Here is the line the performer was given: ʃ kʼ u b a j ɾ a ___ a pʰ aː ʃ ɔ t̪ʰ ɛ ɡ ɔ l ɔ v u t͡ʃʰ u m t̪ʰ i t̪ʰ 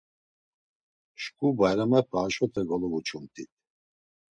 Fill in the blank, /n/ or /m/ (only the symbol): m